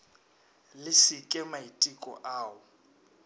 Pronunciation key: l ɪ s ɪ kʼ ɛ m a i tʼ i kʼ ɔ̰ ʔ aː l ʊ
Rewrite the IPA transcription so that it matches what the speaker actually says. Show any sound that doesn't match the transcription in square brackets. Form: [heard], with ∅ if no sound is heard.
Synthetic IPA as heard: l ɪ s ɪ kʼ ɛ m a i tʼ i kʼ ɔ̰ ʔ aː [∅] ʊ